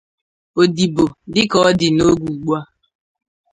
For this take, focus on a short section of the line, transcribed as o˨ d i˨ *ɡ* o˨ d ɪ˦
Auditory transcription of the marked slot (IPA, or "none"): b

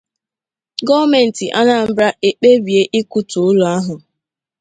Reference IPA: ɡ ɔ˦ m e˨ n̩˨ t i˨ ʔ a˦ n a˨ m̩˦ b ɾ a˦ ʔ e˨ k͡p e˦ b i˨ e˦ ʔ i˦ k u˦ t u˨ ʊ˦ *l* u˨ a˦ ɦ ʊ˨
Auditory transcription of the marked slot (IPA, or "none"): l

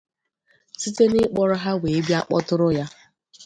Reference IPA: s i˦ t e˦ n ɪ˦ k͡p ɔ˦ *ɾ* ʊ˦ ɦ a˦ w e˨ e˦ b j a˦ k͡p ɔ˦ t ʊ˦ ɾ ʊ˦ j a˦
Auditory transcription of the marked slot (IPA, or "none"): ɾ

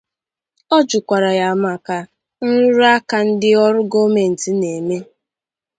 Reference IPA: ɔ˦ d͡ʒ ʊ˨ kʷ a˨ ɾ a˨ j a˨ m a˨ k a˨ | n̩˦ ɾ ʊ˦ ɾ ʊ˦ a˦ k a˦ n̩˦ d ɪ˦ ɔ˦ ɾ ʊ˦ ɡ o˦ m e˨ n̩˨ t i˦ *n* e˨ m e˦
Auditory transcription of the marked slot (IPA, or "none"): n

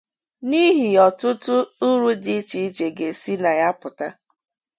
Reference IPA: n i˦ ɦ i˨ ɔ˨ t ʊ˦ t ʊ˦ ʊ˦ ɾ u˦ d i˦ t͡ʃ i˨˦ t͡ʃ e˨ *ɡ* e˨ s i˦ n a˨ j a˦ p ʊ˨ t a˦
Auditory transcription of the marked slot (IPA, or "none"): ɡ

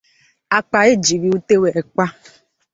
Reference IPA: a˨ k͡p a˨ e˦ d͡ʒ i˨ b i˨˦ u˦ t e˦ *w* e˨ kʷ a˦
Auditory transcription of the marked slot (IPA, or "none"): w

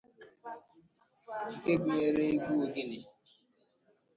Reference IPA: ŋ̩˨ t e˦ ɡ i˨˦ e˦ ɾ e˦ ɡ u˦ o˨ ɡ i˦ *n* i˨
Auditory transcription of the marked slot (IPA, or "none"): n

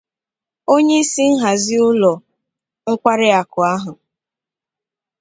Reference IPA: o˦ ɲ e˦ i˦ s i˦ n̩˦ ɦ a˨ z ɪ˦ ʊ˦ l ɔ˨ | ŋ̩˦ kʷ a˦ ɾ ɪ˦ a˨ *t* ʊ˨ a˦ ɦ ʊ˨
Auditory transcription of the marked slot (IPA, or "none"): k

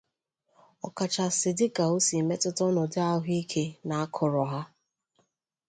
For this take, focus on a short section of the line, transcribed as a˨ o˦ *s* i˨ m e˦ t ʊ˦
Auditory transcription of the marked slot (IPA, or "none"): s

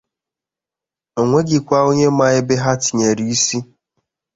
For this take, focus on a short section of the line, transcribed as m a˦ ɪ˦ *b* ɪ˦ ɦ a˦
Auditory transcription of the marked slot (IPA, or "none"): b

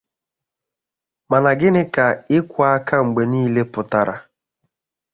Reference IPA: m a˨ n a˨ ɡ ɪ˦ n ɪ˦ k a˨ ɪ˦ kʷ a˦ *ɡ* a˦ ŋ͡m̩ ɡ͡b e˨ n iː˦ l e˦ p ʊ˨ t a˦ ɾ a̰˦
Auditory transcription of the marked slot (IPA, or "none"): k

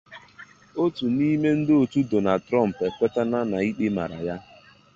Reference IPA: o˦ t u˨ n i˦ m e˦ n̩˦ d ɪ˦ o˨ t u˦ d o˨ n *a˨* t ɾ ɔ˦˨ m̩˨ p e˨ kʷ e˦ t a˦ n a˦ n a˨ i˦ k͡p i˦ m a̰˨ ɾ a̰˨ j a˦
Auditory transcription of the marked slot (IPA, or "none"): a˨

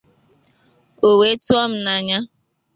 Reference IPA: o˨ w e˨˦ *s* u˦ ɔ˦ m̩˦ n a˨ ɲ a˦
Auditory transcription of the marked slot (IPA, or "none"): t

